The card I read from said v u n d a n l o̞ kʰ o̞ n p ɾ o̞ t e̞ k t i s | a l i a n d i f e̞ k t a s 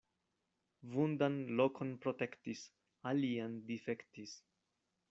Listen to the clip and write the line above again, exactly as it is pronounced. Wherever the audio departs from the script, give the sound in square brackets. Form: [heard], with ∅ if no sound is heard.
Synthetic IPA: v u n d a n l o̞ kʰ o̞ n p ɾ o̞ t e̞ k t i s | a l i a n d i f e̞ k t [i] s